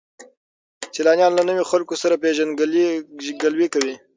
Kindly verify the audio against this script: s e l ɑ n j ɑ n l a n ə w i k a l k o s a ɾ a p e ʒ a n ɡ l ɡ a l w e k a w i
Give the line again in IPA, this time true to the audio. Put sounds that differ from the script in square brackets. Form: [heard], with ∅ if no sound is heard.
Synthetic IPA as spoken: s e l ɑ n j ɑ n l a n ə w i [x] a l k o s a ɾ a p e ʒ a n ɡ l ɡ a l w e k a w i